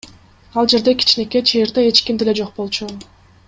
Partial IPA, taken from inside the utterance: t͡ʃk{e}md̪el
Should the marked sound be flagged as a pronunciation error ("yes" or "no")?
yes